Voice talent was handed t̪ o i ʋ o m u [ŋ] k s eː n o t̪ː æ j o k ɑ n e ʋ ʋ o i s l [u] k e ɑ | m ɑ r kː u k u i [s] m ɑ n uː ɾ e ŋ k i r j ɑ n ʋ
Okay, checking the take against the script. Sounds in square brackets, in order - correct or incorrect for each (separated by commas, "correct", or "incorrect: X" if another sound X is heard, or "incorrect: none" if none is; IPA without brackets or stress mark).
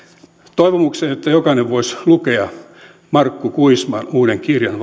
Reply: incorrect: none, correct, correct